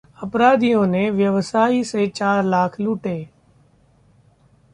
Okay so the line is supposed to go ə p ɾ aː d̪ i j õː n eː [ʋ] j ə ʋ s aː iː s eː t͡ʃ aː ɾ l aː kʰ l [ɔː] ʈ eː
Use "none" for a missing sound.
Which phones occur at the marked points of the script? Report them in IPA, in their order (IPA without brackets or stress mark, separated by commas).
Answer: ʋ, uː